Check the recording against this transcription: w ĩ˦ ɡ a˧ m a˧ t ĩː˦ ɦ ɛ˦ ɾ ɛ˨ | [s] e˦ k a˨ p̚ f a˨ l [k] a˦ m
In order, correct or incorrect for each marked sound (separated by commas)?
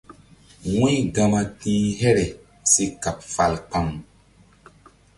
correct, incorrect